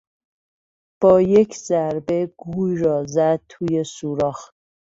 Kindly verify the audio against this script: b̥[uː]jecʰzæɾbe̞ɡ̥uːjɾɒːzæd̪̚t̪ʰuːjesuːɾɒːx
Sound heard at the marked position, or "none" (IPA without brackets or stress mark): ɒː